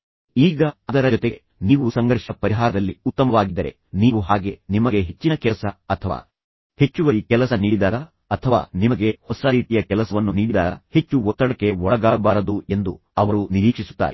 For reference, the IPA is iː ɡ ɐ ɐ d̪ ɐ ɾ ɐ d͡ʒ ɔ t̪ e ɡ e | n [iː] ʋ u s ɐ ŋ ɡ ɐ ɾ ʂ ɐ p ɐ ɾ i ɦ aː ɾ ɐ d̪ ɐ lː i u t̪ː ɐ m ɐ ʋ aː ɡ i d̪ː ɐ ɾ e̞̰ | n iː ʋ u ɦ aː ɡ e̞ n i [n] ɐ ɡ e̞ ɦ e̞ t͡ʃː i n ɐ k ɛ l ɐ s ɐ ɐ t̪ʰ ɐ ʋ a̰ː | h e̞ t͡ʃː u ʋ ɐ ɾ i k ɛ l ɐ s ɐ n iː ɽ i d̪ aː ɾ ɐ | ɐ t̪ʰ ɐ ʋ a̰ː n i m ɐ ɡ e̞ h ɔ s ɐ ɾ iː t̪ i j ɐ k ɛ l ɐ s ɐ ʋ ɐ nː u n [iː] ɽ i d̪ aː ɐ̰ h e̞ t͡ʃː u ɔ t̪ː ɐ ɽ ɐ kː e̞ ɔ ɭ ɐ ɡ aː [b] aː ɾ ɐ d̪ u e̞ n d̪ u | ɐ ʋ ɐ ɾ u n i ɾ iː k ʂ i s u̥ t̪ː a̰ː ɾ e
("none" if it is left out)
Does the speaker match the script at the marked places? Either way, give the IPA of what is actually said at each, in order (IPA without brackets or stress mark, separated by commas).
iː, m, iː, b